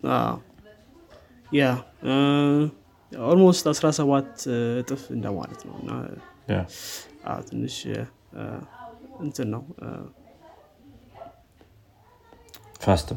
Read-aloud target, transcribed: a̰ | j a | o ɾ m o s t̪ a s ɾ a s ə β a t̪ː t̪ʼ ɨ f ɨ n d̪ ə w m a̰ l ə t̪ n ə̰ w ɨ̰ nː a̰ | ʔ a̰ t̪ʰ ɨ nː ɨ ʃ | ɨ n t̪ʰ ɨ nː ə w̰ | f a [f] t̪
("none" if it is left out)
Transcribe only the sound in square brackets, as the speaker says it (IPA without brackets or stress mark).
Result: s